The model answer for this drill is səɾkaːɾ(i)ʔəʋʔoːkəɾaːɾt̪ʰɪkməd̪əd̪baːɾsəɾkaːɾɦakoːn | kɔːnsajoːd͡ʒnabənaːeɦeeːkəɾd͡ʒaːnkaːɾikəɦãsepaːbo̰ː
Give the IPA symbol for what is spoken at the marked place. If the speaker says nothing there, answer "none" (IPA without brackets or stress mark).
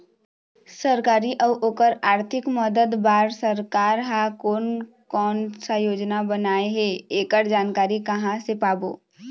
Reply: i